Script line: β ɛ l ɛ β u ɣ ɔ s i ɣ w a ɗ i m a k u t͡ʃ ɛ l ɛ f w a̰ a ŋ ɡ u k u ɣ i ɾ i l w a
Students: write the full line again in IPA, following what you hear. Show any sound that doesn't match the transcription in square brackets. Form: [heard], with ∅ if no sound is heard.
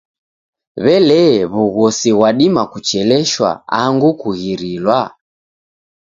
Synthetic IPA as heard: β ɛ l ɛ β u ɣ ɔ s i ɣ w a ɗ i m a k u t͡ʃ ɛ l ɛ [ʃ] w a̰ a ŋ ɡ u k u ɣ i ɾ i l w a